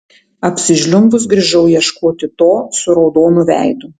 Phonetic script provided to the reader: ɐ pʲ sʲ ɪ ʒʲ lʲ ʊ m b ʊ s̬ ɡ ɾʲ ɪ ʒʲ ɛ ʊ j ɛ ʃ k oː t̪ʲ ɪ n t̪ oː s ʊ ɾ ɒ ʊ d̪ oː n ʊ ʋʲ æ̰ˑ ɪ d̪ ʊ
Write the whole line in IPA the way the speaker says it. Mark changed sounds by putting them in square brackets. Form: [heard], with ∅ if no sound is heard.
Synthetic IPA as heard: ɐ pʲ sʲ ɪ ʒʲ lʲ ʊ m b ʊ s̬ ɡ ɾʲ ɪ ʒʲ ɛ ʊ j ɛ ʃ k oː t̪ʲ ɪ [∅] t̪ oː s ʊ ɾ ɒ ʊ d̪ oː n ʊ ʋʲ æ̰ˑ ɪ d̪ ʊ